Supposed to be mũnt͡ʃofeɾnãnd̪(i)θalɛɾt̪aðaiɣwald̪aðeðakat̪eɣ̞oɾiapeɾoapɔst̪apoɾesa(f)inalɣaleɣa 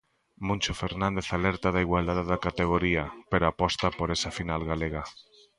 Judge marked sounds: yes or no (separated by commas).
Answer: no, yes